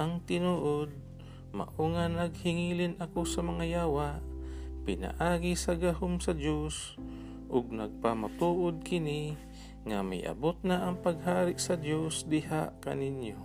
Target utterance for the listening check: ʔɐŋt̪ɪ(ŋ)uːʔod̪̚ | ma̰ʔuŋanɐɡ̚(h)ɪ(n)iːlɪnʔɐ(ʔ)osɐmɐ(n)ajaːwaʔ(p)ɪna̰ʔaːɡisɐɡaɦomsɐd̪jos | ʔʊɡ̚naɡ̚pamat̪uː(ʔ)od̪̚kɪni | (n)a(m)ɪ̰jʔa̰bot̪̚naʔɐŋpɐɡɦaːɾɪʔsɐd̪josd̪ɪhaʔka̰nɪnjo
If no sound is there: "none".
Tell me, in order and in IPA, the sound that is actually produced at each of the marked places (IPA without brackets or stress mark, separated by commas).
n, h, ŋ, k, ŋ, p, ʔ, ŋ, m